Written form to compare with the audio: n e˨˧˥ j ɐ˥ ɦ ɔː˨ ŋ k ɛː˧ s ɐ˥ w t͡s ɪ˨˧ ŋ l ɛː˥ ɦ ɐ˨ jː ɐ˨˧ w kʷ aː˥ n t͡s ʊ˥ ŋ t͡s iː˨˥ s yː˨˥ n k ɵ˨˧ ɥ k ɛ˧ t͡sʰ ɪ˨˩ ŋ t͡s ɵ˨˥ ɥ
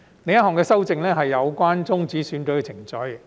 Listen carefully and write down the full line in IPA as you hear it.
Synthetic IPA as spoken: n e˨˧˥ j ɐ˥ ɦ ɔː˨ ŋ k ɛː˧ s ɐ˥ w t͡s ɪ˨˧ ŋ l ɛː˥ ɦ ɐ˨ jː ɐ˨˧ w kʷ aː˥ n t͡s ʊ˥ ŋ t͡s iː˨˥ s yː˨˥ n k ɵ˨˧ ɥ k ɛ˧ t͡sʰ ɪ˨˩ ŋ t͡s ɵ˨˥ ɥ

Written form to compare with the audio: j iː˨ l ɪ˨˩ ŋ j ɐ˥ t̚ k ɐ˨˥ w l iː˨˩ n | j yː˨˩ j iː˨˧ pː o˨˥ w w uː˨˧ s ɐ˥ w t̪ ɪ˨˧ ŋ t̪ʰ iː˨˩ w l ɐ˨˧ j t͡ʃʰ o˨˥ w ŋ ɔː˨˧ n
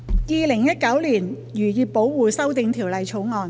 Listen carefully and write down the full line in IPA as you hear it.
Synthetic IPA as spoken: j iː˨ l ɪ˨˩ ŋ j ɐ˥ t̚ k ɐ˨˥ w l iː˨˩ n | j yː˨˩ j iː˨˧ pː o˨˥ w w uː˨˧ s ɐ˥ w t̪ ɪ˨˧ ŋ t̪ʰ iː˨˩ w l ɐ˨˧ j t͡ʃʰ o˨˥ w ŋ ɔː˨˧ n

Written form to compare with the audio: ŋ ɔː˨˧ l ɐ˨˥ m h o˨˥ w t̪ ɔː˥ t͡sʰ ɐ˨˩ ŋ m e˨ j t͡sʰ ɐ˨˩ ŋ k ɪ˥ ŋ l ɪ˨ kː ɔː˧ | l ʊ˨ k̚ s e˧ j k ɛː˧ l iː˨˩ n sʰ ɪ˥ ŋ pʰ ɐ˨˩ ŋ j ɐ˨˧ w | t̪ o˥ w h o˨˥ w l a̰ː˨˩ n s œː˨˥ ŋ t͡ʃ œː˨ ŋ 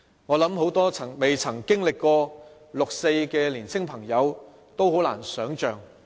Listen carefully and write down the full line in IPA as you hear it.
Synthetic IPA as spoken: ŋ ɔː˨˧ l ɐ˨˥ m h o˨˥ w t̪ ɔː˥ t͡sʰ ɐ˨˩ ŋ m e˨ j t͡sʰ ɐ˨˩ ŋ k ɪ˥ ŋ l ɪ˨ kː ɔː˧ | l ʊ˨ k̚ s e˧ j k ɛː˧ l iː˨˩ n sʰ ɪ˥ ŋ pʰ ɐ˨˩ ŋ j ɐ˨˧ w | t̪ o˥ w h o˨˥ w l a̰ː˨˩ n s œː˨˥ ŋ t͡ʃ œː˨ ŋ

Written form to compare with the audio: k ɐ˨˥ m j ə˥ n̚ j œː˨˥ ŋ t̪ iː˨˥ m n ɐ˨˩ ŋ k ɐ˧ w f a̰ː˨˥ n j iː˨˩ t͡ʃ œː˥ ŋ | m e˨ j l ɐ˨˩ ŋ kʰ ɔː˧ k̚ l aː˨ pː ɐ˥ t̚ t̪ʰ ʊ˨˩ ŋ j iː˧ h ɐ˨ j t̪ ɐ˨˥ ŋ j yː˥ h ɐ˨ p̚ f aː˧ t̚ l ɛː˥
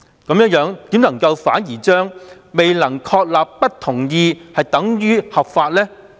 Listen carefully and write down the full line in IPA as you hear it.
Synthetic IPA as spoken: k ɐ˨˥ m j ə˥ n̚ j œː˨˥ ŋ t̪ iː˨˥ m n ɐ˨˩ ŋ k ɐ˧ w f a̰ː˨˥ n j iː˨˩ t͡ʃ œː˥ ŋ | m e˨ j l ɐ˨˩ ŋ kʰ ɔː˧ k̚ l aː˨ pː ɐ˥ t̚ t̪ʰ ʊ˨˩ ŋ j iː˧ h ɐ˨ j t̪ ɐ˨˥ ŋ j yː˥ h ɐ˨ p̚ f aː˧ t̚ l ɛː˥

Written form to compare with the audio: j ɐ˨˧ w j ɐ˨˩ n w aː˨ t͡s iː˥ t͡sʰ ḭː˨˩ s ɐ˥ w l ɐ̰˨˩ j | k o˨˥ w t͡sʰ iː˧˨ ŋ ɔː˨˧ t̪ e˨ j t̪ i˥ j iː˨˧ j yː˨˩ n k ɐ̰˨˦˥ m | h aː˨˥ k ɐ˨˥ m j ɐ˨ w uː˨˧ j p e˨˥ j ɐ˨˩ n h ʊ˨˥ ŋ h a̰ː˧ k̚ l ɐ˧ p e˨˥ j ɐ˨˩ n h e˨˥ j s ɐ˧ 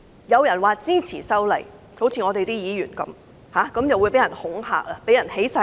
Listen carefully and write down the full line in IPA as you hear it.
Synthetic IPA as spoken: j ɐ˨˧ w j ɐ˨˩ n w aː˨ t͡s iː˥ t͡sʰ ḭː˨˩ s ɐ˥ w l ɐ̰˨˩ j | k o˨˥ w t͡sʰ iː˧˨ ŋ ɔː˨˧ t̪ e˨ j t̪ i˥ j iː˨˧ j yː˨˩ n k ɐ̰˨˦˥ m | h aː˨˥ k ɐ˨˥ m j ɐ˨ w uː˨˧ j p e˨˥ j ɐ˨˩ n h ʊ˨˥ ŋ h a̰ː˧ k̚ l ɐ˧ p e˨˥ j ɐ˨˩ n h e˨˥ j s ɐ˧

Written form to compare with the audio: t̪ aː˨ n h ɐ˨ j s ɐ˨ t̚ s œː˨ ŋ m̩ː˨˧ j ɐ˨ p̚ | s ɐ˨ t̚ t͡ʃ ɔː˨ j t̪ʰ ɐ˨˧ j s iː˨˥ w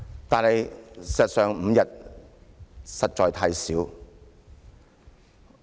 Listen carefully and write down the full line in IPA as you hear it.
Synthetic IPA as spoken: t̪ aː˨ n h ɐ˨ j s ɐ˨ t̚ s œː˨ ŋ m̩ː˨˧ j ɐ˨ t̚ | s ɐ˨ t̚ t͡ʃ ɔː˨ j t̪ʰ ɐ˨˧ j s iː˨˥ w

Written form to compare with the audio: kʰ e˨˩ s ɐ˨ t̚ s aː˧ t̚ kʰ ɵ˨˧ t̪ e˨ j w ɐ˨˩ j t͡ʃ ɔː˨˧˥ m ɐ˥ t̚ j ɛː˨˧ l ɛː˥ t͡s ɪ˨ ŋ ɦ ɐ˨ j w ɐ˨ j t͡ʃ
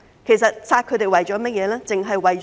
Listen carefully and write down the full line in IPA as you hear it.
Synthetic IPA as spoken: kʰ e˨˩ s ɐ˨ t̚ s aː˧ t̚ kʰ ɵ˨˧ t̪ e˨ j w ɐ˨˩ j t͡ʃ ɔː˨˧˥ m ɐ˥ t̚ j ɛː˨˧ l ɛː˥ t͡s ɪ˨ ŋ ɦ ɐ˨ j w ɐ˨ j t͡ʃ

